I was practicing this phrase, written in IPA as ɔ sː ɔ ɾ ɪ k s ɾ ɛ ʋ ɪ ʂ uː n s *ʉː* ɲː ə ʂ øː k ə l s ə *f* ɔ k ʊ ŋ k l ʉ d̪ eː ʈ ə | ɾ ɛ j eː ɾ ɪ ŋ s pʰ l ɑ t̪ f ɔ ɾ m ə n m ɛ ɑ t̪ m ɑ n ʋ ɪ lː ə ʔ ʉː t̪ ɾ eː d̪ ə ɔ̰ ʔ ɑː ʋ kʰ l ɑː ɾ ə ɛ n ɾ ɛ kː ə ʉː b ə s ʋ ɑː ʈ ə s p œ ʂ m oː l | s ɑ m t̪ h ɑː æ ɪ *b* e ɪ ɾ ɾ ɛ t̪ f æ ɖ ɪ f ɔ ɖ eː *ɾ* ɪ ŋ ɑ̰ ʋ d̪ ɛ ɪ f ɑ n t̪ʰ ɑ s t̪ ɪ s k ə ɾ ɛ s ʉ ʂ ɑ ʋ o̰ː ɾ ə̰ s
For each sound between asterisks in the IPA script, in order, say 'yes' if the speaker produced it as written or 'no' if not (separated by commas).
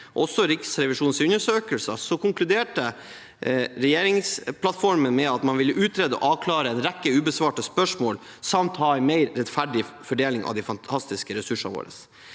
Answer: no, no, no, no